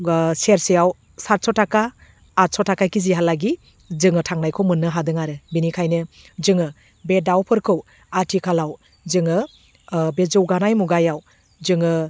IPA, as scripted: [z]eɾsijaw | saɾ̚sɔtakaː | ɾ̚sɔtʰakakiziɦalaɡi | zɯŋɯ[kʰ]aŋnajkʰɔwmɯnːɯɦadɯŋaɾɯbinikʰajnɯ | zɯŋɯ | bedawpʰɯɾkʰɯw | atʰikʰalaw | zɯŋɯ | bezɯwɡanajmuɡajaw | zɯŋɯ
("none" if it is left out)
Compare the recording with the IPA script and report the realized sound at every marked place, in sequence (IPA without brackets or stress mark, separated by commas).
s, tʰ